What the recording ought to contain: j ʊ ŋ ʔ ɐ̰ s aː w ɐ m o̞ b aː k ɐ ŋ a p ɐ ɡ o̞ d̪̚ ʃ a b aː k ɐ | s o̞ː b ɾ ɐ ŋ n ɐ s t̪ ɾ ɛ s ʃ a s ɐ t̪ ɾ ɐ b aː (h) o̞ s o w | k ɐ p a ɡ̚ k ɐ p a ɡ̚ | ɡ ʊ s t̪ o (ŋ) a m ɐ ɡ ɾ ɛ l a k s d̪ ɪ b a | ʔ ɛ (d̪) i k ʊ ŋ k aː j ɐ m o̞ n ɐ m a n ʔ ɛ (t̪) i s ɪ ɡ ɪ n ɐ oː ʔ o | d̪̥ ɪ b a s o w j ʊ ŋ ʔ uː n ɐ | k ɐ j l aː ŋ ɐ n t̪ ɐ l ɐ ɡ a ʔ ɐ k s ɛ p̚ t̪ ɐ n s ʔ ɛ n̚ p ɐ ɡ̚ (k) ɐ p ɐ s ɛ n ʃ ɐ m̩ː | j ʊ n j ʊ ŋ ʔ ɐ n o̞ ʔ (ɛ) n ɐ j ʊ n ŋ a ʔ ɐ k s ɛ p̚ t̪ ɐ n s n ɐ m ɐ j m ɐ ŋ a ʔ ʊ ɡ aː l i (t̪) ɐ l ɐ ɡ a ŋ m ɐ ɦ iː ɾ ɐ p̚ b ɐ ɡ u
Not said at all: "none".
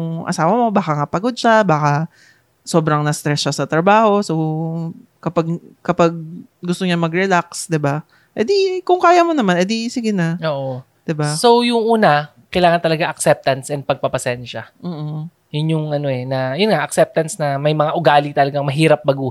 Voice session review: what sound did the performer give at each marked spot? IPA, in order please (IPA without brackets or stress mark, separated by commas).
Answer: h, ɲ, d̪, d̪, p, ɛ, t̪